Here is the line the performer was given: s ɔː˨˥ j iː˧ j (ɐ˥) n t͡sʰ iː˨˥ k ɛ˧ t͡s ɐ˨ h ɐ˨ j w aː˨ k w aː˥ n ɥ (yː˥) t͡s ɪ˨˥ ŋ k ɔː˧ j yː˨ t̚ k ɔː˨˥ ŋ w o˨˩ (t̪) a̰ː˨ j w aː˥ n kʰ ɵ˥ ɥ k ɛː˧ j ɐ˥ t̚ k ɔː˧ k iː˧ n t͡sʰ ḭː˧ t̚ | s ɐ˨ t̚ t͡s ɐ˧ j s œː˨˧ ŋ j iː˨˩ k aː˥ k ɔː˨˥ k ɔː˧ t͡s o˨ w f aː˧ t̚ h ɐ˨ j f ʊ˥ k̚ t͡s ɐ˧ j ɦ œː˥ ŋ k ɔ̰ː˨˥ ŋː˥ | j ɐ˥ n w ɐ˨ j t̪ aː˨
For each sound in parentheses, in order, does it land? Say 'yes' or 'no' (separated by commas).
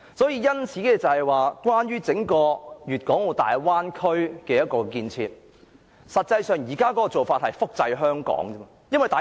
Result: yes, yes, yes